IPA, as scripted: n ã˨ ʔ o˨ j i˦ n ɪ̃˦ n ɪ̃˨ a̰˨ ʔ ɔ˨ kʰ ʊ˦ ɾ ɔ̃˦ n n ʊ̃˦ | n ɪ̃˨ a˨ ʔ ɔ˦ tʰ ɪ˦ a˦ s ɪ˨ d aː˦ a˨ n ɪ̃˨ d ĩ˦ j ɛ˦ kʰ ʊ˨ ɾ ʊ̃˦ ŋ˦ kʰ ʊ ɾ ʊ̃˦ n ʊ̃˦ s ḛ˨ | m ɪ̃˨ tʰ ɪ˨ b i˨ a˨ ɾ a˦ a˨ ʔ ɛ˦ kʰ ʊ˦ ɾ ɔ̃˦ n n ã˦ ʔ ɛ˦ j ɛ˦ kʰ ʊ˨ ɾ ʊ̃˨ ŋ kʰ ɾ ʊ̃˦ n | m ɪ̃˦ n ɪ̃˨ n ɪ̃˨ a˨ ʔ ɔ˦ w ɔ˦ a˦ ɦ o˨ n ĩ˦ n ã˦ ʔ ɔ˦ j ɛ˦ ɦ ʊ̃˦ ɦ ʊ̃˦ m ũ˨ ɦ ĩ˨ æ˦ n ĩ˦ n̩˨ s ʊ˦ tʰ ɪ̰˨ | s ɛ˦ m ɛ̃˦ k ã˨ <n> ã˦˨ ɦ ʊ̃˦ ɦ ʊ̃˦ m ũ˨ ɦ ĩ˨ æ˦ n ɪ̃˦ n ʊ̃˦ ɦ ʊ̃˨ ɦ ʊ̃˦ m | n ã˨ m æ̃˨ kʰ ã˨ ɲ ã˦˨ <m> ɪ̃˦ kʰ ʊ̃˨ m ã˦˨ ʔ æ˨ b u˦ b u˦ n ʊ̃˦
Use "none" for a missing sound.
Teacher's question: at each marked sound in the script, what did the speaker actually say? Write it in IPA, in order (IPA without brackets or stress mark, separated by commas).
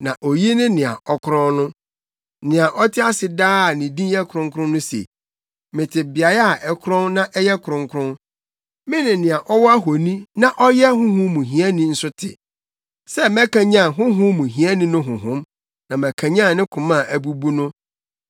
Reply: ɲ, n